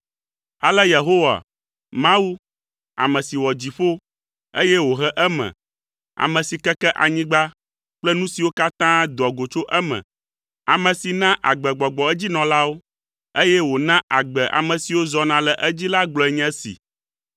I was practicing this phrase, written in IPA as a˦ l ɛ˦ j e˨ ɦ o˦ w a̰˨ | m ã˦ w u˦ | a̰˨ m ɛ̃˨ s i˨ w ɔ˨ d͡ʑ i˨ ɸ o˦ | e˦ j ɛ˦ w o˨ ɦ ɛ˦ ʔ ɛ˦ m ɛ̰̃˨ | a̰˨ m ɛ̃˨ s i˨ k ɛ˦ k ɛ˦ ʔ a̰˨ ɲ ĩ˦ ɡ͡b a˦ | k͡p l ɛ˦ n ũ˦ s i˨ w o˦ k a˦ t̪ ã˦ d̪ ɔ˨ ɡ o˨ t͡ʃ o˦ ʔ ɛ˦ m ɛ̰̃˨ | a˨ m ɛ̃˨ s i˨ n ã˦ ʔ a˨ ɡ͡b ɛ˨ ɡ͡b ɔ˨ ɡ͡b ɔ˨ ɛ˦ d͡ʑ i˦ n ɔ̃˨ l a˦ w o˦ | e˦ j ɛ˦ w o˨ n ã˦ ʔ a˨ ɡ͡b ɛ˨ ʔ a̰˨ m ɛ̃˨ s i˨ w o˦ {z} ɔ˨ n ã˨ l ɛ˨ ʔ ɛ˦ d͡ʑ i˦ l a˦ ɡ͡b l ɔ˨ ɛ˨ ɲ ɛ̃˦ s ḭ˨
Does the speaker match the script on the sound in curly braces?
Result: yes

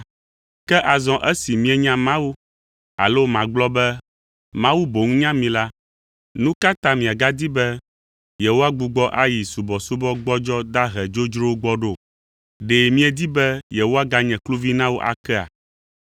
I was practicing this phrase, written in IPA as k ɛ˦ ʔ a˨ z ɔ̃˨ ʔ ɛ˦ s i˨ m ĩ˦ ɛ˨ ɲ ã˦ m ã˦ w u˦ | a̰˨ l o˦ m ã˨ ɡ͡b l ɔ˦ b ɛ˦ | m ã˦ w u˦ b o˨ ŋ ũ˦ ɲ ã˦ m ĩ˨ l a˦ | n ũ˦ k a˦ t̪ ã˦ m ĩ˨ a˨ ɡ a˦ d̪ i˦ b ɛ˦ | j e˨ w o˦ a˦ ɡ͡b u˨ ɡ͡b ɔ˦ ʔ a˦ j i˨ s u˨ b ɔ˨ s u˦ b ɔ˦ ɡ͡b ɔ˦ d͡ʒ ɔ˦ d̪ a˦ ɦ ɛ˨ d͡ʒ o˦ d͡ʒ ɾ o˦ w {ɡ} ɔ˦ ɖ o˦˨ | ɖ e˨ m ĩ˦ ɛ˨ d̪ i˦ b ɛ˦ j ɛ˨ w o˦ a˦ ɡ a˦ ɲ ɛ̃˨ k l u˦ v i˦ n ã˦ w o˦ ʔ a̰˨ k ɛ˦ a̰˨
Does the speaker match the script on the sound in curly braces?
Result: no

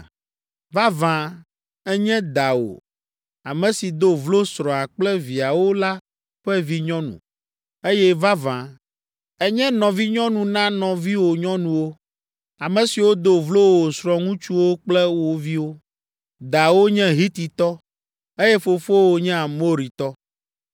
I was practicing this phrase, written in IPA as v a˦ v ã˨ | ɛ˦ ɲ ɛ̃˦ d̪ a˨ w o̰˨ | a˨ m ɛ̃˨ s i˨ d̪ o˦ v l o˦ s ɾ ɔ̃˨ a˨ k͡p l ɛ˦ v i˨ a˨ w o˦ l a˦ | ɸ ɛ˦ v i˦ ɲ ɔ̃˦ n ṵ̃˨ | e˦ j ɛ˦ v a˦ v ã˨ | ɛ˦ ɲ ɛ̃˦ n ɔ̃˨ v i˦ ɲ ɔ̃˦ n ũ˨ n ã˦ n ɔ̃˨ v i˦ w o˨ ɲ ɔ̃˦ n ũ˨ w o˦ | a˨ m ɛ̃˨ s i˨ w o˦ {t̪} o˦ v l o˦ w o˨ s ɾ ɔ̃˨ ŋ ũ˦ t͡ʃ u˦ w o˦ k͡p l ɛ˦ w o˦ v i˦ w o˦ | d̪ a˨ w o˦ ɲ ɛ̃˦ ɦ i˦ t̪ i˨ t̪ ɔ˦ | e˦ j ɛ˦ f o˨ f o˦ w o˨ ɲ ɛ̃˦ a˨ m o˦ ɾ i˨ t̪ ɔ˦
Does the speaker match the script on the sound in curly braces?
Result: no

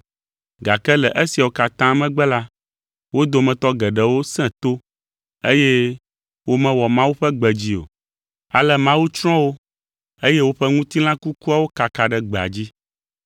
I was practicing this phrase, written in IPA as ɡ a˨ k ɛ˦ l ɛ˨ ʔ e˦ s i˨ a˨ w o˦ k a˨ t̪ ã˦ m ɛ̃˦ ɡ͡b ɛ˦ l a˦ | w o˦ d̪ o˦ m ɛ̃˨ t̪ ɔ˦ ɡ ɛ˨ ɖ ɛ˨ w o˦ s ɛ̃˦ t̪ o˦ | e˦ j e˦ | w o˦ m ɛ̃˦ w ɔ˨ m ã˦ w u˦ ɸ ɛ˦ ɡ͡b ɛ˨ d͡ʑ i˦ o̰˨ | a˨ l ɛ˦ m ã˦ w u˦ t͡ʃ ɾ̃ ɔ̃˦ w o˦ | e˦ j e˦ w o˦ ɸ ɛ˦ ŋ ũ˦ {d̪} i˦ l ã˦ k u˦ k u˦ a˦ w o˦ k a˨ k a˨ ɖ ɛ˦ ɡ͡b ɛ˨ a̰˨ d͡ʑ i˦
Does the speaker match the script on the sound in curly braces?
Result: no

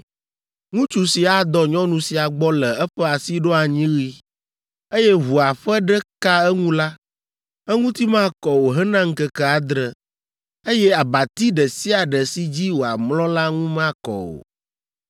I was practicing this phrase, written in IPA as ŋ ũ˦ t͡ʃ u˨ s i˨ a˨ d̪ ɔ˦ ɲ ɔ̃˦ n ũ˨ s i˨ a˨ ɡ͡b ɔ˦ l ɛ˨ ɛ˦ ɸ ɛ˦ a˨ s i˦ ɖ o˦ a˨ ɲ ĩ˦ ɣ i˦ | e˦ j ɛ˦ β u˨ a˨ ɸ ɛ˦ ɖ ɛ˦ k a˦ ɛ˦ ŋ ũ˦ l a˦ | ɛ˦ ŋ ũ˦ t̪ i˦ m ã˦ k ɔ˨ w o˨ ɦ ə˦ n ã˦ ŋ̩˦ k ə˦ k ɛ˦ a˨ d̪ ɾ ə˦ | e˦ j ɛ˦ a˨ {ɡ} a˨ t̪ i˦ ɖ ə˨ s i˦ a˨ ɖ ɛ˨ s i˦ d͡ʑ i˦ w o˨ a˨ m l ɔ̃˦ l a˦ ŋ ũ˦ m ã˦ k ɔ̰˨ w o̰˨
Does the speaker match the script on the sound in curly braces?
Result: no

